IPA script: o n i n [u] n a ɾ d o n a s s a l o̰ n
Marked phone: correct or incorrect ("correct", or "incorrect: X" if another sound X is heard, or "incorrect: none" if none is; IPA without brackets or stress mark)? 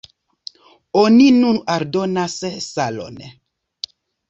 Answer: correct